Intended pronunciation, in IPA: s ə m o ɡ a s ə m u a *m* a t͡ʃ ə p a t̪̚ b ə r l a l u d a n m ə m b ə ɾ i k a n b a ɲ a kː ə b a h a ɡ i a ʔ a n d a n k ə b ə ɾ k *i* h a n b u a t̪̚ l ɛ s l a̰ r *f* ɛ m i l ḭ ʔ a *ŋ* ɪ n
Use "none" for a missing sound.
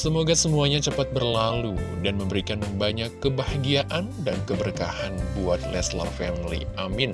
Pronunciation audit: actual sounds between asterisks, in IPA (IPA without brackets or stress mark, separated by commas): ɲ, a, f, m